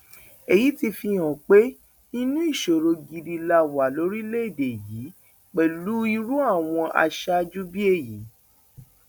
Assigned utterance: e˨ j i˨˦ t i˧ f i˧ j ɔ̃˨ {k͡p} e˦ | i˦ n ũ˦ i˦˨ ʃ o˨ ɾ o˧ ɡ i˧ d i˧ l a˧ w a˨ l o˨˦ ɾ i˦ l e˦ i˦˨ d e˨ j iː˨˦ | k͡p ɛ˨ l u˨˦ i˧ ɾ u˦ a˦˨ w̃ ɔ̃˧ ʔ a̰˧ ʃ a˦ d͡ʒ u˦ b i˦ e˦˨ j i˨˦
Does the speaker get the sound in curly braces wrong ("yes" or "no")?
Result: no